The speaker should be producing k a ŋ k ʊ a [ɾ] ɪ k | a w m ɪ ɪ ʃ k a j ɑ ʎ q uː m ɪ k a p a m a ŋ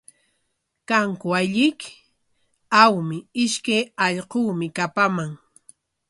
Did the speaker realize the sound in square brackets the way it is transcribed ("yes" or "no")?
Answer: no